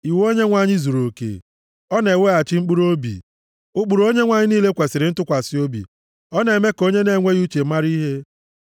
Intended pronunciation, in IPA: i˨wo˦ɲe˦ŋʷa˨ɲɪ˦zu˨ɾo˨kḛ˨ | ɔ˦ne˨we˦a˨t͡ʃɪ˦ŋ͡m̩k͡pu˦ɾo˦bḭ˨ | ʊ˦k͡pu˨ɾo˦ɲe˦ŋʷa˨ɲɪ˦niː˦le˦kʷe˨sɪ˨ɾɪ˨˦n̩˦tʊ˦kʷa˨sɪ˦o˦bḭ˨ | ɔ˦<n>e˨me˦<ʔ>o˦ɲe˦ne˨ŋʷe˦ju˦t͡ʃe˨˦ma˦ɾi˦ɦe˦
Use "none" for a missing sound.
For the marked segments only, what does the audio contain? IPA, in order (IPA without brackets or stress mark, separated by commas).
n, k